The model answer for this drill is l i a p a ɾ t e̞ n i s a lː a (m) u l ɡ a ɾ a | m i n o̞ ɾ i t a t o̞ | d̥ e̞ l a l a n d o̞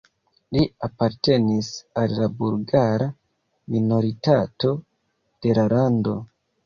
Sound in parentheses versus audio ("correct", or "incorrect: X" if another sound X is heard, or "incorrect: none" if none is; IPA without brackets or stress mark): incorrect: b